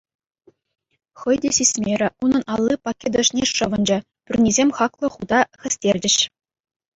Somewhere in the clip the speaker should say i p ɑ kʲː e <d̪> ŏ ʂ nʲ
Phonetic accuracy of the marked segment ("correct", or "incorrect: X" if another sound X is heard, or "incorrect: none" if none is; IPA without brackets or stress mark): correct